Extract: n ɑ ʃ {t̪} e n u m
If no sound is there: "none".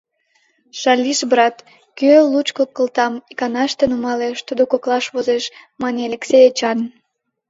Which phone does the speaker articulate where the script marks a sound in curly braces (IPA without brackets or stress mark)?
t̪